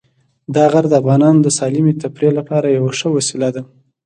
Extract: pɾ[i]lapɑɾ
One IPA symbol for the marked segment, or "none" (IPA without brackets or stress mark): e